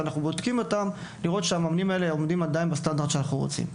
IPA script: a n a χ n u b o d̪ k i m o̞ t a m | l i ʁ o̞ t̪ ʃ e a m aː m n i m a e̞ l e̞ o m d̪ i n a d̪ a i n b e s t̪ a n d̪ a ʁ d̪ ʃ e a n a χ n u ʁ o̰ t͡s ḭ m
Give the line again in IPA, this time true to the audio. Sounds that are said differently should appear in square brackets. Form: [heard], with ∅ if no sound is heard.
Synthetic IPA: a n a χ n u b o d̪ k i m o̞ t a m | l i ʁ o̞ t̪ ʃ e a m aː m n i m a e̞ l e̞ o m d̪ i [m] a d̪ a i n b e s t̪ a n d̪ a ʁ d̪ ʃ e a n a χ n u ʁ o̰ t͡s ḭ m

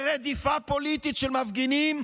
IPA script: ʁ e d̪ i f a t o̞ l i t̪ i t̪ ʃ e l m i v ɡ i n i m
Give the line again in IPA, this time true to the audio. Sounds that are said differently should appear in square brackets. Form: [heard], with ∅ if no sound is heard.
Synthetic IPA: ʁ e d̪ i f a [p] o̞ l i t̪ i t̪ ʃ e l m [a] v ɡ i n i m

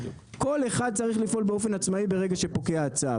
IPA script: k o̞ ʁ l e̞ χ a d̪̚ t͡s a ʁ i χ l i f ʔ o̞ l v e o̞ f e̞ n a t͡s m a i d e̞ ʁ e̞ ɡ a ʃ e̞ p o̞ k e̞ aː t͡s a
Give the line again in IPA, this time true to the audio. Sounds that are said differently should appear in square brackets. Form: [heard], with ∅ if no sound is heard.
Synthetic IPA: k o̞ [∅] l e̞ χ a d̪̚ t͡s a ʁ i χ l i f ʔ o̞ l [b] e o̞ f e̞ n a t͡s m a i [b] e̞ ʁ e̞ ɡ a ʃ e̞ p o̞ k e̞ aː t͡s a

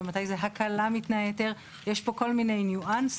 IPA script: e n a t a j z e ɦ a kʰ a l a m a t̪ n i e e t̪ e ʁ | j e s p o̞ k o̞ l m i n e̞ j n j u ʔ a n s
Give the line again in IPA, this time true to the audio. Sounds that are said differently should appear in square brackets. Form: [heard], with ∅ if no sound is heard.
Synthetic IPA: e [m] a t a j z e ɦ a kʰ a l a m [i] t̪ n [a] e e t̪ e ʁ | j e [ʃ] p o̞ k o̞ l m i n e̞ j n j u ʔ a n s

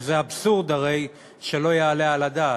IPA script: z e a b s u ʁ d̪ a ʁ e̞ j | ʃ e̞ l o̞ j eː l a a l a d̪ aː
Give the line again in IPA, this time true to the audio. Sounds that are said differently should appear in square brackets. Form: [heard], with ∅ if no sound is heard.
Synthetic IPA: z e a b s u ʁ d̪ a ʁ e̞ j | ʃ e̞ l o̞ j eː l [e] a l a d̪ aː

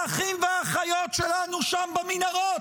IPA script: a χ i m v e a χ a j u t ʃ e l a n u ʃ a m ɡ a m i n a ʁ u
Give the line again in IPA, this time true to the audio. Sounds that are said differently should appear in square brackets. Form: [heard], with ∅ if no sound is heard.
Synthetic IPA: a χ i m v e a χ a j [o] t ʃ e l a n u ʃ a m [b] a m i n a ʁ [o]

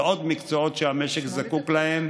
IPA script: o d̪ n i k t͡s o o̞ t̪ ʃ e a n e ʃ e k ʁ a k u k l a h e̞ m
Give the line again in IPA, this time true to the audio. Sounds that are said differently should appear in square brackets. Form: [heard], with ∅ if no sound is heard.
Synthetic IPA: o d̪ [m] i k t͡s o o̞ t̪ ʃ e a [m] e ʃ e k [z] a k u k l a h e̞ m

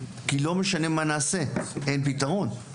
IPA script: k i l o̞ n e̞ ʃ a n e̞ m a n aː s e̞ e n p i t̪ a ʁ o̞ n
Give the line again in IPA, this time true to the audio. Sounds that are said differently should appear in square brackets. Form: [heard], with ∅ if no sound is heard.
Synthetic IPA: k i l o̞ [m] e̞ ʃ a n e̞ m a n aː s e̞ e n p i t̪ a ʁ o̞ n

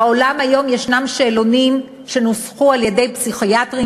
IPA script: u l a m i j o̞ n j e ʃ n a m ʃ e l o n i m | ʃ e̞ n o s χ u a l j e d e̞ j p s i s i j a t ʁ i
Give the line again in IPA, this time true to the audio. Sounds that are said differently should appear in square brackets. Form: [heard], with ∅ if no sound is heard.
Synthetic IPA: [o] l a m [a] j o̞ [m] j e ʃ n a m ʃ e l o n i m | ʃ e̞ n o s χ u a l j e d e̞ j p s i [χ] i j a t ʁ i

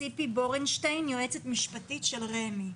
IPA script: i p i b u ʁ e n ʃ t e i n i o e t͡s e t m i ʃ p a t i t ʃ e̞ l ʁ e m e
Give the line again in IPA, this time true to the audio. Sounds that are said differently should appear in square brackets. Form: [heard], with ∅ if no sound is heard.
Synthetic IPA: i p i b [o] ʁ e n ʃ t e [j] n [j] o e t͡s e t m i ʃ p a t i t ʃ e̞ l ʁ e m [i]

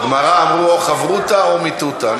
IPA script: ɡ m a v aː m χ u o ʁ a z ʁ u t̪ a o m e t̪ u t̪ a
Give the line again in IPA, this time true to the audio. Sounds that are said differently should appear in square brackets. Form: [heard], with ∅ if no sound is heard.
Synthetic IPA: ɡ m a [ʁ] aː m [ʁ] u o [χ] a [v] ʁ u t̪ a o m [i] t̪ u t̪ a

